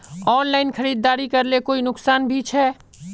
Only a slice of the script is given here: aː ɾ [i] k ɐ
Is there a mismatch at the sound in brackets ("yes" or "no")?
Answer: no